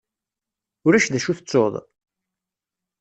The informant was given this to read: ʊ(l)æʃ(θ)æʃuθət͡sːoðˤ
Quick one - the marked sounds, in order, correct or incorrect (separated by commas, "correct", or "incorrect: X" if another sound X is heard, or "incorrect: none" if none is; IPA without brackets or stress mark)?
incorrect: ɾ, incorrect: ð